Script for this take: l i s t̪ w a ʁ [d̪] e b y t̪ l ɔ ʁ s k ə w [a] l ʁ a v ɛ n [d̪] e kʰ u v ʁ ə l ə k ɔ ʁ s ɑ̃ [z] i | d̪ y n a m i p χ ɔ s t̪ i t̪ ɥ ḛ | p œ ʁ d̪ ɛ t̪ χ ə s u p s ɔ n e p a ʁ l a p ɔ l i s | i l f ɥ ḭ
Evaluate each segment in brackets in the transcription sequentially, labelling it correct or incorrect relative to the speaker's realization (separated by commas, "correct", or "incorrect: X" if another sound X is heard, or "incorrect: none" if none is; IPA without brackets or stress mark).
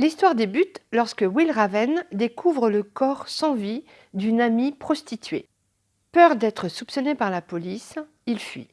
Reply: correct, incorrect: i, correct, incorrect: v